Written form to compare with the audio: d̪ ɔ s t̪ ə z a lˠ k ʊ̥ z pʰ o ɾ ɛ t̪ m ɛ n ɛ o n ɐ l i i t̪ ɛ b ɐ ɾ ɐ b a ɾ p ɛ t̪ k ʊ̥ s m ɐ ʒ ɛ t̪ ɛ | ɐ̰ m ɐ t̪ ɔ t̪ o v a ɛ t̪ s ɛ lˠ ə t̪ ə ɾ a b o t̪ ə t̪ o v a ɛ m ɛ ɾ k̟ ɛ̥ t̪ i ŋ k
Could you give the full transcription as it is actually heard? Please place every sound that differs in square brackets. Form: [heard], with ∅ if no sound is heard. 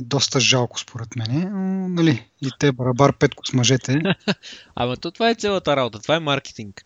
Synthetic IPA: d̪ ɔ s t̪ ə [ʒ] a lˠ k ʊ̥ [s] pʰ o ɾ ɛ t̪ m ɛ n ɛ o n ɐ l i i t̪ ɛ b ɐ ɾ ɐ b a ɾ p ɛ t̪ k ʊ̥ s m ɐ ʒ ɛ t̪ ɛ | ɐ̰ m ɐ t̪ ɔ t̪ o v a ɛ t̪ s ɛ lˠ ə t̪ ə ɾ a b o t̪ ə t̪ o v a ɛ m [a] ɾ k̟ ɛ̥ t̪ i ŋ k